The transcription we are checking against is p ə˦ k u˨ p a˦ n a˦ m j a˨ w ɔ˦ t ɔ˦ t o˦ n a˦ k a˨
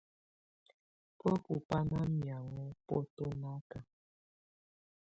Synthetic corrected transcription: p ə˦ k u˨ p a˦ n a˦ m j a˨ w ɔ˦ p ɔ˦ t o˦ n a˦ k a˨